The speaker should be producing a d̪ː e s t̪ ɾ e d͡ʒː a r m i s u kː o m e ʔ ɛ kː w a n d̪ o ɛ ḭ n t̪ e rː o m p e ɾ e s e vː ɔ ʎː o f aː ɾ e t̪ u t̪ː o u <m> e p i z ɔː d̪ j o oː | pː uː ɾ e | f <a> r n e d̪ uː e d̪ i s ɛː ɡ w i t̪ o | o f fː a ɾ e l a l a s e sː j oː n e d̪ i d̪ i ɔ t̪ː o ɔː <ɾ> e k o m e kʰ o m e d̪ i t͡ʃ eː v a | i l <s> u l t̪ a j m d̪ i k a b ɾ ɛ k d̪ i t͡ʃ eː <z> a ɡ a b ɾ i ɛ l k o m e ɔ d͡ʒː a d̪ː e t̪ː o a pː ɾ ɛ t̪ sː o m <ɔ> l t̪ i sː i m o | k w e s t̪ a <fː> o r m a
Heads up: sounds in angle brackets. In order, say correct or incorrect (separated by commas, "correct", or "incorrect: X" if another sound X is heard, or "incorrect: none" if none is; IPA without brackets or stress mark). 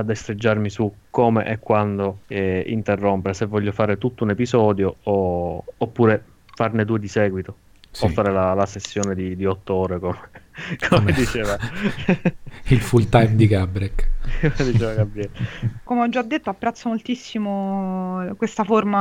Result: incorrect: n, correct, correct, incorrect: f, incorrect: v, incorrect: o, incorrect: f